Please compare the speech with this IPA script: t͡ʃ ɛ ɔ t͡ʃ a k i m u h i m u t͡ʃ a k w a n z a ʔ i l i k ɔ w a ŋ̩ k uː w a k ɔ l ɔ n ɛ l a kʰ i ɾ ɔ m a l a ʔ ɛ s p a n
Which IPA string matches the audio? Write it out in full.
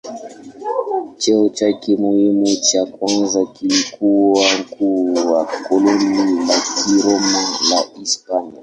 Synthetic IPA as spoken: t͡ʃ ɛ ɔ t͡ʃ a k i m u h i m u t͡ʃ a k w a n z a k i l i k u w a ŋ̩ k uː w a k ɔ l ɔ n i l a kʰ i ɾ ɔ m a l a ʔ i s p a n